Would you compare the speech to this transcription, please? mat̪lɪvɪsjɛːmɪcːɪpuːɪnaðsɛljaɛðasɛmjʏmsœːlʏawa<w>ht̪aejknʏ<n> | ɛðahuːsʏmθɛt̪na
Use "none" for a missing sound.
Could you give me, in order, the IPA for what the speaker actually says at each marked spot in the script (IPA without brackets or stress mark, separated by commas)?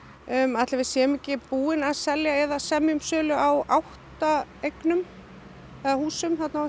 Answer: w, m